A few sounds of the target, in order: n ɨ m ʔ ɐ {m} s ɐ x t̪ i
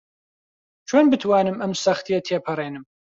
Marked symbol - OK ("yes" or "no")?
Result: yes